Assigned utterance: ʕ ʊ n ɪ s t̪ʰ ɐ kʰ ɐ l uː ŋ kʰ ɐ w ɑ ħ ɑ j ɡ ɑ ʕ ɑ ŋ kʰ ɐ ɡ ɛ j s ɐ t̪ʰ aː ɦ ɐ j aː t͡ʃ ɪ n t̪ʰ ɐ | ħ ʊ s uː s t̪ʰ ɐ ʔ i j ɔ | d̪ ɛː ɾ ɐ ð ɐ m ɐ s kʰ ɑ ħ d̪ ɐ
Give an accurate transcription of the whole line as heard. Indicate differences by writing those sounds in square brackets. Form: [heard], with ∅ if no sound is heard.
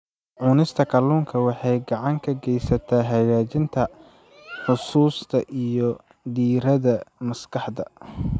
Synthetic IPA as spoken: ʕ ʊ n ɪ s t̪ʰ ɐ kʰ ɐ l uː ŋ kʰ ɐ w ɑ ħ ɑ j ɡ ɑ ʕ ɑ ŋ kʰ ɐ ɡ ɛ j s ɐ t̪ʰ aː ɦ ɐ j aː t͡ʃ ɪ n t̪ʰ ɐ | ħ ʊ s uː s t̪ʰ ɐ ʔ i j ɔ | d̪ [iː] ɾ ɐ ð ɐ m ɐ s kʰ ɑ ħ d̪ ɐ